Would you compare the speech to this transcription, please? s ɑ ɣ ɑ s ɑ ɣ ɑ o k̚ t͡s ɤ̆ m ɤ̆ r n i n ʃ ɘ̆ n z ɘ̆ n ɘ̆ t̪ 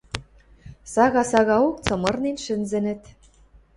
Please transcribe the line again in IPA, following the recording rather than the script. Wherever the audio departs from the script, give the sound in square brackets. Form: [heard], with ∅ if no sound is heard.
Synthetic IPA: s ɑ ɣ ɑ s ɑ ɣ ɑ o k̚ t͡s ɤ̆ m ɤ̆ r n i n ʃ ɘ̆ n z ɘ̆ n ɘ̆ t̪